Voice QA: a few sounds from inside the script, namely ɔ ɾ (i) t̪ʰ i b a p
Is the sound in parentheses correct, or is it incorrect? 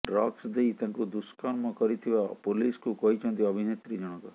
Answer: correct